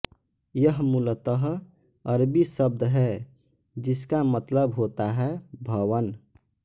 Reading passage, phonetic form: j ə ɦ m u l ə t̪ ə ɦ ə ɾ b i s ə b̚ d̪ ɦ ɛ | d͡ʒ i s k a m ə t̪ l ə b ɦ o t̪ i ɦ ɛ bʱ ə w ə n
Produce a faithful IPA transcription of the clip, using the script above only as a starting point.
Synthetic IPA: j ə ɦ m u l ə t̪ ə ɦ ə ɾ b i s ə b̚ d̪ ɦ ɛ | d͡ʒ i s k a m ə t̪ l ə b ɦ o t̪ a ɦ ɛ bʱ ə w ə n